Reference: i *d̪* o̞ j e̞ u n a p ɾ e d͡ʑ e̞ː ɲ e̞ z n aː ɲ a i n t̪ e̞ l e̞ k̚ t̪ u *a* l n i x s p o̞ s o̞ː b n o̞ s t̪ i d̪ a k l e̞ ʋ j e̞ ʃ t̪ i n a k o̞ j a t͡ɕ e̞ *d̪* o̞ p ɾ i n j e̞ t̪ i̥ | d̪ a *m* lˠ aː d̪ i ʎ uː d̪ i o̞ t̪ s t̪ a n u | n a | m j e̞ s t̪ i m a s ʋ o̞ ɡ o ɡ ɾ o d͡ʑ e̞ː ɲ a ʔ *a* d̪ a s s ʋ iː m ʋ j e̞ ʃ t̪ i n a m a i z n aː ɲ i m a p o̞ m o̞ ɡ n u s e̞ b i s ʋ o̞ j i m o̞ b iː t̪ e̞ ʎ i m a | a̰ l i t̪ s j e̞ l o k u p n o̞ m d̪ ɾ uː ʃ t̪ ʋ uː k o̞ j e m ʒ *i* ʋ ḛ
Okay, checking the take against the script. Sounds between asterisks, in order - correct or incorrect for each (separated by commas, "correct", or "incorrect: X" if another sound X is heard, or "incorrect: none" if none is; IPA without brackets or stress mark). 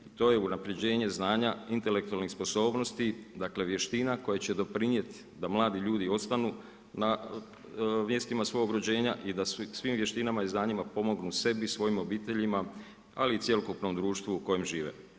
incorrect: t̪, correct, correct, correct, incorrect: i, incorrect: iː